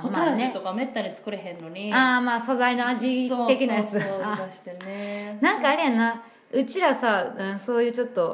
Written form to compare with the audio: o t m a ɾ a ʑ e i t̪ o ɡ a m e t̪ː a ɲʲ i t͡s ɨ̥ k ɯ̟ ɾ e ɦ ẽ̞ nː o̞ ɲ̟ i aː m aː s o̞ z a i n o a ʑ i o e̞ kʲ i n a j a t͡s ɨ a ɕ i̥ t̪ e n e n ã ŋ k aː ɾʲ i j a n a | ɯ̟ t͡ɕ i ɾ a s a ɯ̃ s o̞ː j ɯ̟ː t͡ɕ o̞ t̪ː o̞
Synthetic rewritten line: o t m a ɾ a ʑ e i t̪ o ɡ a m e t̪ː a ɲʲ i t͡s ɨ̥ k ɯ̟ ɾ e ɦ ẽ̞ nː o̞ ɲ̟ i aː m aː s o̞ z a i n o a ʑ i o e̞ kʲ i n a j a t͡s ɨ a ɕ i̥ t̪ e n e n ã ŋ k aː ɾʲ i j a n a | ɯ̟ t͡ɕ i ɾ a s a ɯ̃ s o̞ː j ɯ̟ː t͡ɕ o̞ t̪ː o̞